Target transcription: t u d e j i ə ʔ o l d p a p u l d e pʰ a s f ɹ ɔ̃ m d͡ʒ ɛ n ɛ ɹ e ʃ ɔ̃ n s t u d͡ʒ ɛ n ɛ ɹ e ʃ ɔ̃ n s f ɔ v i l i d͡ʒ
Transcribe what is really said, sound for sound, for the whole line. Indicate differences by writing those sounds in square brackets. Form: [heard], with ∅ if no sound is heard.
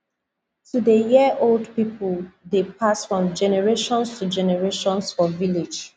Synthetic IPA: t u d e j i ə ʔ o l d p [i] p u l d e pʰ a s f ɹ ɔ̃ m d͡ʒ ɛ n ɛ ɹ e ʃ ɔ̃ n s t u d͡ʒ ɛ n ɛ ɹ e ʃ ɔ̃ n s f ɔ v i l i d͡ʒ